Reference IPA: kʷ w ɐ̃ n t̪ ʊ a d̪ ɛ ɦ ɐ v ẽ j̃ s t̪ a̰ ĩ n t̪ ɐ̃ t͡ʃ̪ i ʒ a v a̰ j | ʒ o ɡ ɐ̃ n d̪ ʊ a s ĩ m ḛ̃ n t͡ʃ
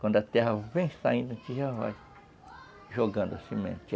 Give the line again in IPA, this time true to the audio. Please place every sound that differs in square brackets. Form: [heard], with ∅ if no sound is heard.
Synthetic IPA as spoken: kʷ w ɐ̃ n [d̪] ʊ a [t̪] ɛ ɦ ɐ v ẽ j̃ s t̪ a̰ ĩ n [d̪] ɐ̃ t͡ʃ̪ i ʒ a v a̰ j | ʒ o ɡ ɐ̃ n d̪ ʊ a s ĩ m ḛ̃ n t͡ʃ